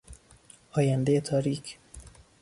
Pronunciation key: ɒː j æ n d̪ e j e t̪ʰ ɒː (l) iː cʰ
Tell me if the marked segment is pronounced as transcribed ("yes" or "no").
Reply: no